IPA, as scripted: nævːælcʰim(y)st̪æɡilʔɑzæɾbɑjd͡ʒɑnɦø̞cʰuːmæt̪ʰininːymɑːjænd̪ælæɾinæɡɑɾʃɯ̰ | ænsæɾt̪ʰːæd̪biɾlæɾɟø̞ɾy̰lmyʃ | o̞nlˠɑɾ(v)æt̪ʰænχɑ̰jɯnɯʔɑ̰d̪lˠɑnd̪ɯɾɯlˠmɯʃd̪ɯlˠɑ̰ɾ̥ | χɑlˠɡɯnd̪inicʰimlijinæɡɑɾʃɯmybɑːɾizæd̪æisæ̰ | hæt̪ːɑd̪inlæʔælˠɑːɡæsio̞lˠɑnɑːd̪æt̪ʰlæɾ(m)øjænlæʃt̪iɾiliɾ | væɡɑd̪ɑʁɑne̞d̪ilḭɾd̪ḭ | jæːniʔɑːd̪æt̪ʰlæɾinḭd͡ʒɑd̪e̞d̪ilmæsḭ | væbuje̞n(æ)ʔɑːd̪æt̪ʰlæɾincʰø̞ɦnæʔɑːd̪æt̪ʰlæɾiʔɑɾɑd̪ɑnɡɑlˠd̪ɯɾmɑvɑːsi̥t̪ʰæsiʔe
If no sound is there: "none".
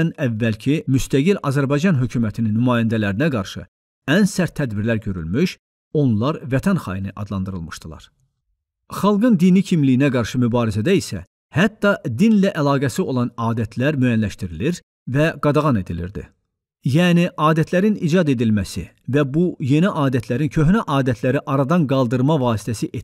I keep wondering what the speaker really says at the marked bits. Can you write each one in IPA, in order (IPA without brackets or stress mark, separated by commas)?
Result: y, v, m, i